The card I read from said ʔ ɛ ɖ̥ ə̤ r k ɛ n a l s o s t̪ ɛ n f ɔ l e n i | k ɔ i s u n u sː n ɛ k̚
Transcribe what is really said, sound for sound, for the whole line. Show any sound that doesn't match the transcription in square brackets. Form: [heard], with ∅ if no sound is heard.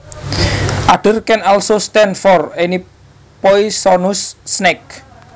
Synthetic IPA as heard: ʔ [a] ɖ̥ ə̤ r k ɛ n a l s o s t̪ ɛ n f ɔ [r] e n i | [p] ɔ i s [ɔ] n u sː n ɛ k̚